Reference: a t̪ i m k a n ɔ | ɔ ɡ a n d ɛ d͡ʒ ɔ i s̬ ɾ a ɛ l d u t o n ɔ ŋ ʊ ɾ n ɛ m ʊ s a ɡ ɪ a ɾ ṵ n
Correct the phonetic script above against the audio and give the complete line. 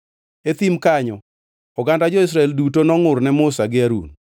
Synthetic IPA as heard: e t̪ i m k a ɲ ɔ | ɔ ɡ a n d a d͡ʒ ɔ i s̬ ɾ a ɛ l d u t o n ɔ ŋ ʊ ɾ n ɛ m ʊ s a ɡ ɪ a ɾ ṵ n